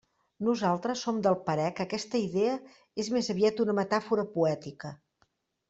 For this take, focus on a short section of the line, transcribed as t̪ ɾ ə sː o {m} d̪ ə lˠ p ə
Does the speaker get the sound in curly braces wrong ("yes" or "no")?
no